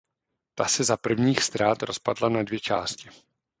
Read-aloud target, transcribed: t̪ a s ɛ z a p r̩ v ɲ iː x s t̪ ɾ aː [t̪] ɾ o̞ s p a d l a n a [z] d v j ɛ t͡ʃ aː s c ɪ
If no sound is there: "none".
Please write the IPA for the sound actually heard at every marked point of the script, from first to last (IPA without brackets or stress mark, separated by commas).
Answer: t̪, none